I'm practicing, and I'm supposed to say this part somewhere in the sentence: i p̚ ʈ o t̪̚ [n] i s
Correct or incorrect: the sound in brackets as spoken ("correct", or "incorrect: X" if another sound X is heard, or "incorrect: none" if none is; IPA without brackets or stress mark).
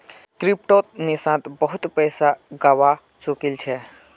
correct